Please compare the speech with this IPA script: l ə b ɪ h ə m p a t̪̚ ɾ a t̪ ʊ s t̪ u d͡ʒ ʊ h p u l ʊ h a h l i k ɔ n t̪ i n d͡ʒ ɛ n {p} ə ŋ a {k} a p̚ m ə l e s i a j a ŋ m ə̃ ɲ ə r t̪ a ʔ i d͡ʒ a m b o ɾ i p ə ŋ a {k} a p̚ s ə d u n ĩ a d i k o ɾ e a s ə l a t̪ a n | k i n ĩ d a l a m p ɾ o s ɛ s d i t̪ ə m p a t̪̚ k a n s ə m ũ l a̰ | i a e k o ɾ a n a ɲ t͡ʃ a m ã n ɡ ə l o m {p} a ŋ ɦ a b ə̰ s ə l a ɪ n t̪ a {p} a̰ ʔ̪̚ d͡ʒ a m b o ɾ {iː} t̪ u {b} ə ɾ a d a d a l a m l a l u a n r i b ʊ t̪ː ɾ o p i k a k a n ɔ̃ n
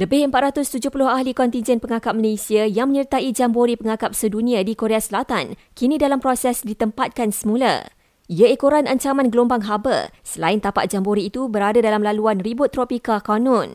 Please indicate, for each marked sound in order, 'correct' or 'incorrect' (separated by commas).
correct, correct, correct, incorrect, correct, correct, correct